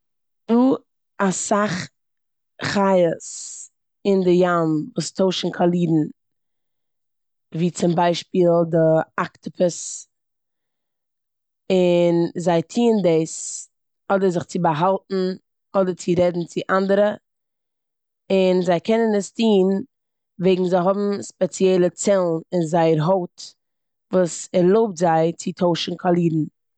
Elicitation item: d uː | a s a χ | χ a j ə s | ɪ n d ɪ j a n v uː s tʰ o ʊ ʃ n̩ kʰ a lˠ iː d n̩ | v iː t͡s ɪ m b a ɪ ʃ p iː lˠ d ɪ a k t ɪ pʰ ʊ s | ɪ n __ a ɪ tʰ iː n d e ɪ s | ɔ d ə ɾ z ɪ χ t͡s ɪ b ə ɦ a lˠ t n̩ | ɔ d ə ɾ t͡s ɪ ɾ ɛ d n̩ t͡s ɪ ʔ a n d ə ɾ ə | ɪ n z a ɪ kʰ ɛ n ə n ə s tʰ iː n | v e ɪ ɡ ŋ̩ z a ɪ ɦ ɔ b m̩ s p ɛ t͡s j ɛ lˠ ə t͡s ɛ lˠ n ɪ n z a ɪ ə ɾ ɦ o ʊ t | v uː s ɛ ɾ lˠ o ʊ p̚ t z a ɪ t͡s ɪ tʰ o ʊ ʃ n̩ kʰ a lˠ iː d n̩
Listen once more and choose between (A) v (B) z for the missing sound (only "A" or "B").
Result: B